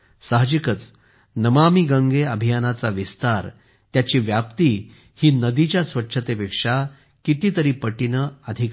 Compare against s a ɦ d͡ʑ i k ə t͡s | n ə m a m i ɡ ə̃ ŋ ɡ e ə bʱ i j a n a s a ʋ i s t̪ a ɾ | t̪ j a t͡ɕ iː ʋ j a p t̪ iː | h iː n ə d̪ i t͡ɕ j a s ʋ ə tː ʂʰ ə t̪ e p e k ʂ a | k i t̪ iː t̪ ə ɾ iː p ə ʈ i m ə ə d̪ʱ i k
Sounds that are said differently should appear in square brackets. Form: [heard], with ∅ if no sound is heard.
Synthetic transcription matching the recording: s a ɦ d͡ʑ i k ə t͡s | n ə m a m i ɡ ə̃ ŋ ɡ e ə bʱ i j a n a [t͡s] a ʋ i s t̪ a ɾ | t̪ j a t͡ɕ iː ʋ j a p t̪ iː | h iː n ə d̪ i t͡ɕ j a s ʋ ə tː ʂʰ ə t̪ e p e k ʂ a | k i t̪ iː t̪ ə ɾ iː p ə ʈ i [n] ə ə d̪ʱ i k